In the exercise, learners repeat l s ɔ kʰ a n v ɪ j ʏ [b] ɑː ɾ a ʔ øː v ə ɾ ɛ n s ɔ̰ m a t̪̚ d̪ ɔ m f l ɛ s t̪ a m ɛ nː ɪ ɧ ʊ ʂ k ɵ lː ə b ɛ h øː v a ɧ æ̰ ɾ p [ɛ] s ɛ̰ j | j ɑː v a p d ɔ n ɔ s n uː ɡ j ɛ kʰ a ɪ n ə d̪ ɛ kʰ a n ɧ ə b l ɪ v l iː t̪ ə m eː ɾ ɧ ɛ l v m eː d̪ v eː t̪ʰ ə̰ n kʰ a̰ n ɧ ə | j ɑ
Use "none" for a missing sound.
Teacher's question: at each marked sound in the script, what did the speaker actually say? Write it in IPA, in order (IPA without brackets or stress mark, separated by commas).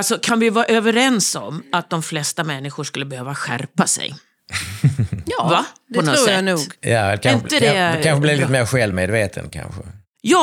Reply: v, a